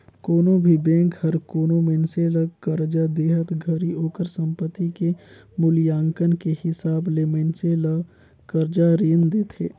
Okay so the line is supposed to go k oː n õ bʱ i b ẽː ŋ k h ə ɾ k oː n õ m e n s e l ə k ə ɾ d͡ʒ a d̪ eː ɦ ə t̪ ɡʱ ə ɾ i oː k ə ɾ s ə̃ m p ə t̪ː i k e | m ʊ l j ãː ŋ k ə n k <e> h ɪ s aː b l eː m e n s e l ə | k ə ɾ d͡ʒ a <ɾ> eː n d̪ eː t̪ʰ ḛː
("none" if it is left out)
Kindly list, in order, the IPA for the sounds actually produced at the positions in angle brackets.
e, ɾ

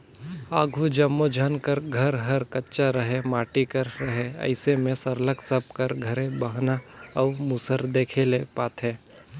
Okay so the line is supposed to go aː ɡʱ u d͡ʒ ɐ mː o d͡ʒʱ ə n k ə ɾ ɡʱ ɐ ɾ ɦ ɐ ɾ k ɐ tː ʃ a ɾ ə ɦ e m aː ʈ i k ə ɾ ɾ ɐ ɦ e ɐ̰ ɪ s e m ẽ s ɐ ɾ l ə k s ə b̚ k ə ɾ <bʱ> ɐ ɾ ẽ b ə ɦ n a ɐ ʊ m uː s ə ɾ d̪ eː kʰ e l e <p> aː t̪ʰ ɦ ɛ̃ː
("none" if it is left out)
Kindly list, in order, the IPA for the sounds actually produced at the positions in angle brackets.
ɡʱ, p

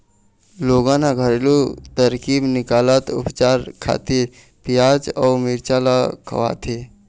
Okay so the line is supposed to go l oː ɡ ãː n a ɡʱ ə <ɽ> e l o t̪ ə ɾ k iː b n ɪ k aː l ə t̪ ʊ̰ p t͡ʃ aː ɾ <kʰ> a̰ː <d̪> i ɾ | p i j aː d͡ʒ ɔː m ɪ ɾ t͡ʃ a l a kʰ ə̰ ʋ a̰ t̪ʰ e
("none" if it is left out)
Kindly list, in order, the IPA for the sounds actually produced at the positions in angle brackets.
ɾ, kʰ, t̪

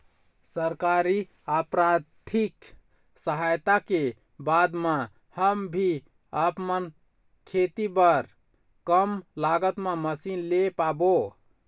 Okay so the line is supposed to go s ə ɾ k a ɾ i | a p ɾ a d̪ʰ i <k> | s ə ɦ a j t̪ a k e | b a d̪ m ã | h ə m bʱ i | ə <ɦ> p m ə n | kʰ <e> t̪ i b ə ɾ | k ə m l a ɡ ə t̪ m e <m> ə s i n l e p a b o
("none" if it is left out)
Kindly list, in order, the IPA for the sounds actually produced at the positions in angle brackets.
k, none, e, m

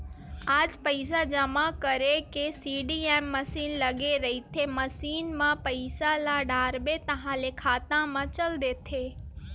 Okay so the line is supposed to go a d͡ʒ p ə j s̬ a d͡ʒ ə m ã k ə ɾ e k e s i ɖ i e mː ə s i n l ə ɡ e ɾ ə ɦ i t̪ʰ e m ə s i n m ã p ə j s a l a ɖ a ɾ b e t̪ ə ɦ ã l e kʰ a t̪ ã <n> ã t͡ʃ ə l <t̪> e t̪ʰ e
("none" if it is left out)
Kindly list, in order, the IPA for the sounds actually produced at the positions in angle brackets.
m, d̪

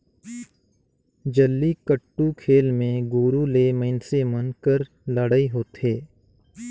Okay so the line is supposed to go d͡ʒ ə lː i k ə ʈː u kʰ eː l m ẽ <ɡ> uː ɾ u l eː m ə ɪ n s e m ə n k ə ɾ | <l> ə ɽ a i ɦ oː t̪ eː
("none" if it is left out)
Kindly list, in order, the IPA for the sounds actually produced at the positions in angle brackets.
ɡ, l

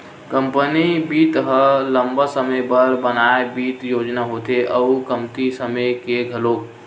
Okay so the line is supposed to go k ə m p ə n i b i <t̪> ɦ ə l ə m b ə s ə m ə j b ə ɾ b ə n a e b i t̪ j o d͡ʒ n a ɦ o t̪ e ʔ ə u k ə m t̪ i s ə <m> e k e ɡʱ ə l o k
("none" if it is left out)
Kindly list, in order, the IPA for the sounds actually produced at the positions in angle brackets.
t̪, m

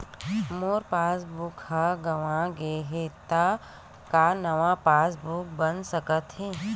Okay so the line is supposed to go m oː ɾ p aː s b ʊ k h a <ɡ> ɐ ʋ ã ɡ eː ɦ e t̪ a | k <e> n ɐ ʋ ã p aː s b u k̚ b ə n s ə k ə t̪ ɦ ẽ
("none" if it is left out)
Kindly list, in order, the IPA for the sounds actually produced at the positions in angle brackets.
ɡ, a

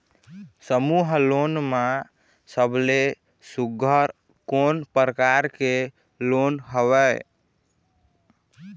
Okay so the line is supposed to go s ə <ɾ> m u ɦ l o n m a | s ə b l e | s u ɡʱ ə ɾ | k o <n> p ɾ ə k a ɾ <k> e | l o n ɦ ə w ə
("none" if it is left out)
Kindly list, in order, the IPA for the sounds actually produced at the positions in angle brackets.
none, n, k

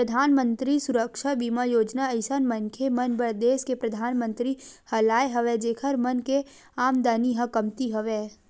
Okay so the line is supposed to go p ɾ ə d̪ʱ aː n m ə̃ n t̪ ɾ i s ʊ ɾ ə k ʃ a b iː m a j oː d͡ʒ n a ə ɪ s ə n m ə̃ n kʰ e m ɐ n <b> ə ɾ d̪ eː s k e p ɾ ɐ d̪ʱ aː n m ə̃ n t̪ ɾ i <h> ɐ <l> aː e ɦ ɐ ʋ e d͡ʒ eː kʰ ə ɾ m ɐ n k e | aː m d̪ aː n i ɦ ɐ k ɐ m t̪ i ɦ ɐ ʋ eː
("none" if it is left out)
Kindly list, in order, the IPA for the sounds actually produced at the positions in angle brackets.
b, h, l

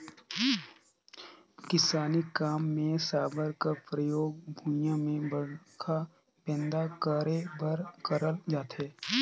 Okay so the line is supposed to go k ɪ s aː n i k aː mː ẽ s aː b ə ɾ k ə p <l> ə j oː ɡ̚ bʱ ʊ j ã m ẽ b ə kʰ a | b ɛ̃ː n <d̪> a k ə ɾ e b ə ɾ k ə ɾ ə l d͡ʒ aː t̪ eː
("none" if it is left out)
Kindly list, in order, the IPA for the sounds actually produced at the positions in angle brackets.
ɾ, d̪

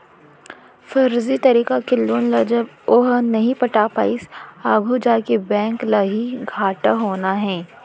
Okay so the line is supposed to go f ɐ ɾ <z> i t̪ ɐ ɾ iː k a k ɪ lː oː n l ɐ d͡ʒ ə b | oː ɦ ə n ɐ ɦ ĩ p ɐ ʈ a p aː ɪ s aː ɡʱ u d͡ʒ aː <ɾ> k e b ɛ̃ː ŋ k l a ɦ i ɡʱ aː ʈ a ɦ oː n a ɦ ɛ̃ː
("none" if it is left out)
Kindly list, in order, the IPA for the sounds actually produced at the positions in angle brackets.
z, none

